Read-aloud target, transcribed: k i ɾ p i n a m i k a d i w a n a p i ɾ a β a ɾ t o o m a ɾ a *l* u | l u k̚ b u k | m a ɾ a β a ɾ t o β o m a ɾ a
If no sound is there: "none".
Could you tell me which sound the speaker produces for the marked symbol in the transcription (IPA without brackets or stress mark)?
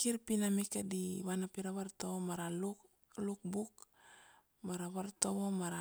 l